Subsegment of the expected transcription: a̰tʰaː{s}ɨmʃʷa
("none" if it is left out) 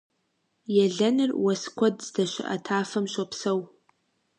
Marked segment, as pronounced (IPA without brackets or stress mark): f